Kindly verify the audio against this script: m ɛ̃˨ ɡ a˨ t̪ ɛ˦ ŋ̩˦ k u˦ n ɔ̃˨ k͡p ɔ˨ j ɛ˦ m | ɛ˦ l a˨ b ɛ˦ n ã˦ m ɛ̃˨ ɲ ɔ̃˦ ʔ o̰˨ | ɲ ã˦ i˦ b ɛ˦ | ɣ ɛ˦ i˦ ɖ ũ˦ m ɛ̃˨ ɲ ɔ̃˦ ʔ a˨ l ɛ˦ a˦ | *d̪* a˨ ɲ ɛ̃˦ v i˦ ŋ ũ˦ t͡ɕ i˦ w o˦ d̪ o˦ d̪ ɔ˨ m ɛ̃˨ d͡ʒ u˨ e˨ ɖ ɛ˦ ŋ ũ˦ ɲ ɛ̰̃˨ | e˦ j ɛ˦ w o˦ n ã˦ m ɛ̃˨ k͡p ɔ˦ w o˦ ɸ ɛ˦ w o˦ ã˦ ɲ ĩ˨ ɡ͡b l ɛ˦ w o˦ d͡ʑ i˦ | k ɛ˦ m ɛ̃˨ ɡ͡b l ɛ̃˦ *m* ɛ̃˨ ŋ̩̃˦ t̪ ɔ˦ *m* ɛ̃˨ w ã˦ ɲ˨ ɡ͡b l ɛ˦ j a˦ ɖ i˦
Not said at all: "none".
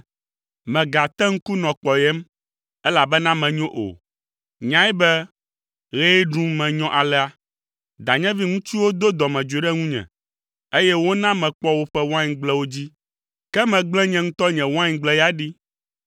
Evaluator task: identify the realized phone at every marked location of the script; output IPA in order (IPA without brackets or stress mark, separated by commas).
d̪, ɲ, ɲ